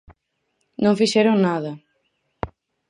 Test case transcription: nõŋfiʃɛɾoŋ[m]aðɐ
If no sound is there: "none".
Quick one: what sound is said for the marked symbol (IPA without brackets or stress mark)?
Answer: n